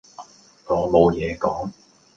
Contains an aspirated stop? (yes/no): no